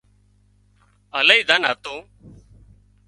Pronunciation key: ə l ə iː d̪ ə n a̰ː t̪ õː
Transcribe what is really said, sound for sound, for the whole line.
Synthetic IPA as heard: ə l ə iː d̪ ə n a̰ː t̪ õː